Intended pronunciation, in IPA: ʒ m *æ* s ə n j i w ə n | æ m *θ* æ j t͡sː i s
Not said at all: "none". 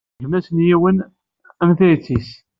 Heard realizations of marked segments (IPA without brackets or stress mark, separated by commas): æ, θ